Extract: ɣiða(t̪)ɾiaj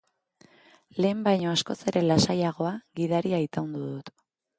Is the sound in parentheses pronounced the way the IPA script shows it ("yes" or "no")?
no